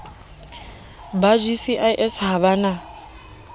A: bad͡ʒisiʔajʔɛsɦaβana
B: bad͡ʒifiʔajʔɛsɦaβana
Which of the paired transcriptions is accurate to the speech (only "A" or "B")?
A